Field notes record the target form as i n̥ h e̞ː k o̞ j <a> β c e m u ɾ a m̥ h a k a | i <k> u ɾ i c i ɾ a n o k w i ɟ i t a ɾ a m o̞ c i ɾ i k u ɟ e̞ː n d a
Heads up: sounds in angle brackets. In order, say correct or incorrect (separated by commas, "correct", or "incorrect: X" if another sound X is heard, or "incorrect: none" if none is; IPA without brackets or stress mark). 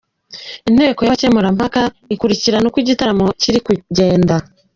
correct, correct